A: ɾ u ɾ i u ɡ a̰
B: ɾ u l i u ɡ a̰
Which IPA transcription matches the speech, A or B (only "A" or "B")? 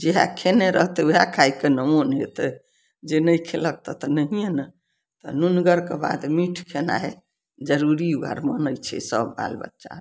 A